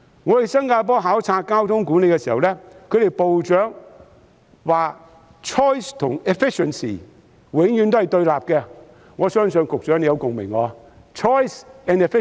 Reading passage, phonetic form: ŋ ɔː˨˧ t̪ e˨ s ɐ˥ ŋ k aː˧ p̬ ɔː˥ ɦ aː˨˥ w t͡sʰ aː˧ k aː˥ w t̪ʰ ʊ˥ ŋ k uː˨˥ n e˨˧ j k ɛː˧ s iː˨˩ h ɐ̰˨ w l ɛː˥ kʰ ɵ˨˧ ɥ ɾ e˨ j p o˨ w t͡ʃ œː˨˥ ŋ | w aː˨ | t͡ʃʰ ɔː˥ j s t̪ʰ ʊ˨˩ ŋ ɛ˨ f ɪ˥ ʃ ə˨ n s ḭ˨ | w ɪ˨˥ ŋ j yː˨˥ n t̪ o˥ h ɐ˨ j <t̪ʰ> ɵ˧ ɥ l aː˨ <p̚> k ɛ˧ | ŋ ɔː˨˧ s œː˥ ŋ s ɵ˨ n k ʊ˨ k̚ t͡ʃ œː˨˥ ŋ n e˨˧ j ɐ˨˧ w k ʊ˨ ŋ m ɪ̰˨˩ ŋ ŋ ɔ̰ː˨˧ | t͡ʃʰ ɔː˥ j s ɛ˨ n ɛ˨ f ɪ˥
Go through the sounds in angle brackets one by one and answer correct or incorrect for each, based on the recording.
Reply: incorrect, correct

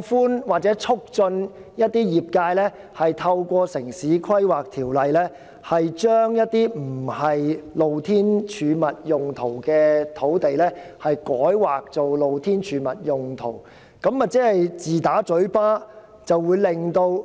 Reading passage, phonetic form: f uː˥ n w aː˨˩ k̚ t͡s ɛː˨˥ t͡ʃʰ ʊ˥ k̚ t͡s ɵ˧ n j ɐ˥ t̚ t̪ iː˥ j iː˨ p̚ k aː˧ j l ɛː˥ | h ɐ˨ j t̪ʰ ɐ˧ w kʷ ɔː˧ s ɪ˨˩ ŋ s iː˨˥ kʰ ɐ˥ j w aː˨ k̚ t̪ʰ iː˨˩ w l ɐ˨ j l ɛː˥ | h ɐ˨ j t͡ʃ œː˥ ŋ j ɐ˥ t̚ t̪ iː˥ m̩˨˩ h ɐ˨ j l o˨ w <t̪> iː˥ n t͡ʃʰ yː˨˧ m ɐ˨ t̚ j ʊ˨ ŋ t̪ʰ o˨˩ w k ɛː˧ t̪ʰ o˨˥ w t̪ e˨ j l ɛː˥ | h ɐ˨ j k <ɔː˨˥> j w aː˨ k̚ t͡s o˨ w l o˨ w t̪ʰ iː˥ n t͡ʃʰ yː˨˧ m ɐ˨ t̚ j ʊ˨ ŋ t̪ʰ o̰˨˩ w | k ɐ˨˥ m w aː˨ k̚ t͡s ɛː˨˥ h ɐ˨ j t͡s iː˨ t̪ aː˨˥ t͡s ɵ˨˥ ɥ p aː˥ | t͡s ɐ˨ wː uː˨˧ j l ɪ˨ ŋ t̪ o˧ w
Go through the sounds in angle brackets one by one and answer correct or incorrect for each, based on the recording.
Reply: incorrect, correct

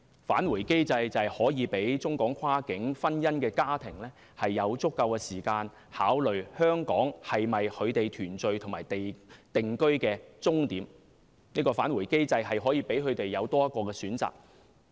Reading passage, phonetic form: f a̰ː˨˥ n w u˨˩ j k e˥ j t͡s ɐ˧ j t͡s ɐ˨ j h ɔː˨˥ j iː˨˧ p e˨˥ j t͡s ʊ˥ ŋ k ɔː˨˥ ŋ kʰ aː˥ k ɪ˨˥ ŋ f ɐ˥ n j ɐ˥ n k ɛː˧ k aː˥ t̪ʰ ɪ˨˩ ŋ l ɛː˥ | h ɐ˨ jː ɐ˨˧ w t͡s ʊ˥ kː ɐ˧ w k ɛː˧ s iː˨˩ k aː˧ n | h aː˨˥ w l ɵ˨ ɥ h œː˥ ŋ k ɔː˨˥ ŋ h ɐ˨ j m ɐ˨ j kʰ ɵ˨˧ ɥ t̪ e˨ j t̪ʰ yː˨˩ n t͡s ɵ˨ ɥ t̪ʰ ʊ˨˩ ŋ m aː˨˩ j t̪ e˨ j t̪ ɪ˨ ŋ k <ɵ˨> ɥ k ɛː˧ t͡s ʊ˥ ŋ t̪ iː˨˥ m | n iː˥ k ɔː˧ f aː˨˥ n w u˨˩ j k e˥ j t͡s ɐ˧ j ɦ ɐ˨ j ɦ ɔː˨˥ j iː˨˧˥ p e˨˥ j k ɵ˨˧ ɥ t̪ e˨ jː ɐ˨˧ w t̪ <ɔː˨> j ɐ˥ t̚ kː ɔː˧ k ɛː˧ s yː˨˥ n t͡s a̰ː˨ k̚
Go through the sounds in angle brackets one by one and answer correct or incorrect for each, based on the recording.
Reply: incorrect, incorrect

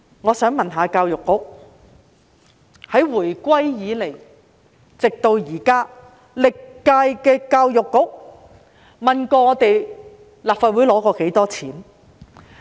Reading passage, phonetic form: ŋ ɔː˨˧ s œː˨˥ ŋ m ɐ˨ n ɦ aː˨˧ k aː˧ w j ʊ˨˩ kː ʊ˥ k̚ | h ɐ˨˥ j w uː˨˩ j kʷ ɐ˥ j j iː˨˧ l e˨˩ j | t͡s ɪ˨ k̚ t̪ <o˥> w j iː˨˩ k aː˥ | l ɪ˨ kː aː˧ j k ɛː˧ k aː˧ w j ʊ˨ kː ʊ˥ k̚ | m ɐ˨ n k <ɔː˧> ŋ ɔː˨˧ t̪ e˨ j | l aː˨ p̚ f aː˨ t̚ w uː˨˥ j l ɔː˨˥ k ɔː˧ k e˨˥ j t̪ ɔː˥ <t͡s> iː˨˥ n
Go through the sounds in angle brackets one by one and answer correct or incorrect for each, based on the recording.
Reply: incorrect, correct, incorrect

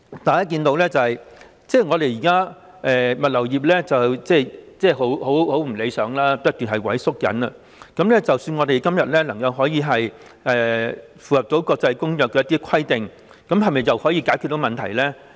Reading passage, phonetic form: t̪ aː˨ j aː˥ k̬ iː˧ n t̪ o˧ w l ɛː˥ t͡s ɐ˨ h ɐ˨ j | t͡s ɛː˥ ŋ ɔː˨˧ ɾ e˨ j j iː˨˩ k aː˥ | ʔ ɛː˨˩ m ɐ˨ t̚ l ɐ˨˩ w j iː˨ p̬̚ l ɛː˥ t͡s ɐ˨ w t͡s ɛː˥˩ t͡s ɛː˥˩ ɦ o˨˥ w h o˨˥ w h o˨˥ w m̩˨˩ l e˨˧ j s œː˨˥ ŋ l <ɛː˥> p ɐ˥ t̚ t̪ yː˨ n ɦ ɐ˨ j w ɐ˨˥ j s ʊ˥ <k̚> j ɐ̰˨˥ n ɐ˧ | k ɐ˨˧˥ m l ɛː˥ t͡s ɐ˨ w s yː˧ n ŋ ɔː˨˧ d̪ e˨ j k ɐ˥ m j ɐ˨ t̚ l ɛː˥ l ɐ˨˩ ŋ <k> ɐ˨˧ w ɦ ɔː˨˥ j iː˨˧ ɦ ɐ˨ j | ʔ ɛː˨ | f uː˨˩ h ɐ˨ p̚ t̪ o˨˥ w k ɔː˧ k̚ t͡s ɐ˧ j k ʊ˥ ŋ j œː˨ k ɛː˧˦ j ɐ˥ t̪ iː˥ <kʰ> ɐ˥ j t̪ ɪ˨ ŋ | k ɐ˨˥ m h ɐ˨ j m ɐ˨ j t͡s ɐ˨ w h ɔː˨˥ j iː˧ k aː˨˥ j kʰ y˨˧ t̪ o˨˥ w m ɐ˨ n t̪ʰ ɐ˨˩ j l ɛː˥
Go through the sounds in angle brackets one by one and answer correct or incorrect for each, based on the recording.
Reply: incorrect, correct, correct, correct

